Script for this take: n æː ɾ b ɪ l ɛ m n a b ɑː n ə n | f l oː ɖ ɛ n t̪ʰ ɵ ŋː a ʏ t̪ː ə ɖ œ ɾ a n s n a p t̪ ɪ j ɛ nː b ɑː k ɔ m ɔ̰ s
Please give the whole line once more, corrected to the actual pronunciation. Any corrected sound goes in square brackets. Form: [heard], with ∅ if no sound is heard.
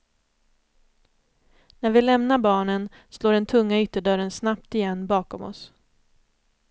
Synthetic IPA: n [æ] ɾ [v] ɪ l ɛ m n a b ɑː [ɳ] ə n | [s] l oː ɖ ɛ n t̪ʰ ɵ ŋː a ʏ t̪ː ə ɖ œ ɾ [ə] n s n a p t̪ ɪ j ɛ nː b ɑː k ɔ m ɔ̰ s